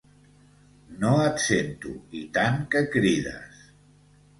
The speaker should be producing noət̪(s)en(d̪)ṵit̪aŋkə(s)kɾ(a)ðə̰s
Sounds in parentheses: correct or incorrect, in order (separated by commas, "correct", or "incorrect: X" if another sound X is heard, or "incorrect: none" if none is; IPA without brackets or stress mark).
correct, incorrect: t̪, incorrect: none, incorrect: i